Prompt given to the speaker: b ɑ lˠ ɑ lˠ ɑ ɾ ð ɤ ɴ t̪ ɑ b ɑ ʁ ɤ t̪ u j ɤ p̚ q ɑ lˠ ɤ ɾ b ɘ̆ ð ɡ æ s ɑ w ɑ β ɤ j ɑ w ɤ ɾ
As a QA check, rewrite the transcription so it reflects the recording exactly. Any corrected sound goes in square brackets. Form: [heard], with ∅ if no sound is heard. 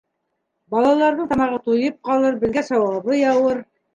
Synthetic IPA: b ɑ lˠ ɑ lˠ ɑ ɾ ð ɤ ɴ t̪ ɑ [m] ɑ ʁ ɤ t̪ u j ɤ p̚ q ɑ lˠ ɤ ɾ b ɘ̆ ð ɡ æ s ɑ w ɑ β ɤ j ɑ w ɤ ɾ